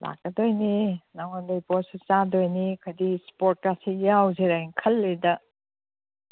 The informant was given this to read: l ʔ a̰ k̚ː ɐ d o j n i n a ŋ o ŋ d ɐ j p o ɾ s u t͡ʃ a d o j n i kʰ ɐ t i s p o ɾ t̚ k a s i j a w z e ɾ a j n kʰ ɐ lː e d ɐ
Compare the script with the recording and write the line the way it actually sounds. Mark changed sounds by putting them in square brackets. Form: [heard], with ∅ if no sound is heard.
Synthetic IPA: l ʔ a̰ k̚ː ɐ d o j n i n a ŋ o [n] d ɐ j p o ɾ s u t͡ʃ a d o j n i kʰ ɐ [d] i s p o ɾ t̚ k a s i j a w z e ɾ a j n kʰ ɐ lː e d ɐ